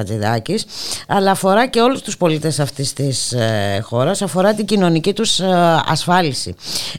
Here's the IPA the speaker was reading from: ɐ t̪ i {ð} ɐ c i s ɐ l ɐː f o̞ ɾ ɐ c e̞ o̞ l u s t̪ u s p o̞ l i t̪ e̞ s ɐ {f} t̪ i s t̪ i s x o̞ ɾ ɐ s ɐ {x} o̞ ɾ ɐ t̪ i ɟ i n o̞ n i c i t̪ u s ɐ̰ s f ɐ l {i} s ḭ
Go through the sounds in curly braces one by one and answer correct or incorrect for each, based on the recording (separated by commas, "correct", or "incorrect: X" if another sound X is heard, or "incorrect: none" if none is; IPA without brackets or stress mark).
correct, correct, incorrect: f, correct